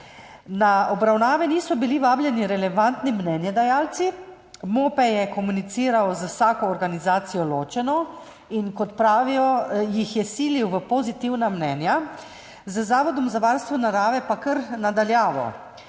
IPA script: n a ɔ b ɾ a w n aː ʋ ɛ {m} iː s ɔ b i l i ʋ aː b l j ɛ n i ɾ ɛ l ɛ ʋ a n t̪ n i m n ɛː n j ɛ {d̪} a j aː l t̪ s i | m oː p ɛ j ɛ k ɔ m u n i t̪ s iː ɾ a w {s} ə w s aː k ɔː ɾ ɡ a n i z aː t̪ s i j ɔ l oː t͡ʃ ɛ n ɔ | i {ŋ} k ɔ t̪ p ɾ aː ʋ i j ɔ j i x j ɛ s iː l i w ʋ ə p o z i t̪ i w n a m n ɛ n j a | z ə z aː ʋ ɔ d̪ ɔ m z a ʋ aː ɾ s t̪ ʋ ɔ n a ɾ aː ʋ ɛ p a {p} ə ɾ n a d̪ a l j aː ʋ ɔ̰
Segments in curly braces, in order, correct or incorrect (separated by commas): incorrect, correct, incorrect, incorrect, incorrect